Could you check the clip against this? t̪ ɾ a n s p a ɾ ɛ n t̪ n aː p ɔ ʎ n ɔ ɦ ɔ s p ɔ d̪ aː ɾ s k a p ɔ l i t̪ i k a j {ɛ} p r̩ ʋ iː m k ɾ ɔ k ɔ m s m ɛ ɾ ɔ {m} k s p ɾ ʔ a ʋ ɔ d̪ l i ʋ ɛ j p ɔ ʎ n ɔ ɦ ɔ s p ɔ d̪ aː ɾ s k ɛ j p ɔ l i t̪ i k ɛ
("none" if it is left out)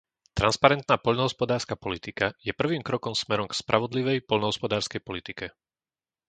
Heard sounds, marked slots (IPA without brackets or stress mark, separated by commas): ɛ, m